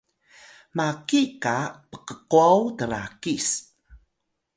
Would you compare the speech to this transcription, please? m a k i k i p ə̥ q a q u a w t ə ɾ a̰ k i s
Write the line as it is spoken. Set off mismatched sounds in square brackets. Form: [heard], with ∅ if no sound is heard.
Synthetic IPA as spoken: m a k i k [a] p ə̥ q [ə] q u a w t ə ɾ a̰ k i s